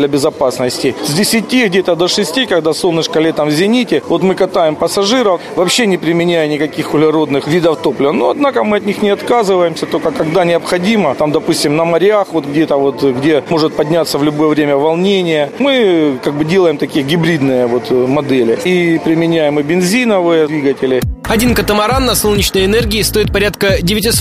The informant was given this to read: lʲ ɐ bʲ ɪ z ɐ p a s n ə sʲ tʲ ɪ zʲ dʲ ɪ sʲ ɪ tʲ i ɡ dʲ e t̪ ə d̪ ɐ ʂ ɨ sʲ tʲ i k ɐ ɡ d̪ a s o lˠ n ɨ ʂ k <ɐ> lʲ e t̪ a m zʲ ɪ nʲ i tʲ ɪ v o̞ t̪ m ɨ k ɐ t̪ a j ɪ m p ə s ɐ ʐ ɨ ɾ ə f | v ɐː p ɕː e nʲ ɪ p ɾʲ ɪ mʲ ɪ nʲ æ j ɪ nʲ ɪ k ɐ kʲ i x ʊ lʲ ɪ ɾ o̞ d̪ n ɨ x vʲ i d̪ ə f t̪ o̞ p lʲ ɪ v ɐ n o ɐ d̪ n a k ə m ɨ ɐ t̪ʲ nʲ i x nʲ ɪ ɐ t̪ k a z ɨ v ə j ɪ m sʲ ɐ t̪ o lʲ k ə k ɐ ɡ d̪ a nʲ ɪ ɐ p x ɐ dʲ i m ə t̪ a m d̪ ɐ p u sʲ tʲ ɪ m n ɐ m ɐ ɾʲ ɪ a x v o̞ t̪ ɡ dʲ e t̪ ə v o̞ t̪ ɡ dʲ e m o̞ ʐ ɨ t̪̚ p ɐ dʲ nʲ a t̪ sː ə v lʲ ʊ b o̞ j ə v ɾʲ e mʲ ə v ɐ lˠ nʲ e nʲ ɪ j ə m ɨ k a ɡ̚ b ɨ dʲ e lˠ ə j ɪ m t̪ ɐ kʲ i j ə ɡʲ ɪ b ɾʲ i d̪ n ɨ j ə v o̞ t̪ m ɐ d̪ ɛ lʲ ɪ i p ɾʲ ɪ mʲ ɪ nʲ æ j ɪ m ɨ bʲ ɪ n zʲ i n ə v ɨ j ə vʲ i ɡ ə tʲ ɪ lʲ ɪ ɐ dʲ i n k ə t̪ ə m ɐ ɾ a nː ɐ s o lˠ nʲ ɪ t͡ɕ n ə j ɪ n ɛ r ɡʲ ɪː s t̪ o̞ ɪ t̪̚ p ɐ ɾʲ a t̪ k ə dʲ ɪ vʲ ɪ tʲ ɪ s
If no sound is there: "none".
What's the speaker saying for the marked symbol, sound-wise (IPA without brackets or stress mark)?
ɐ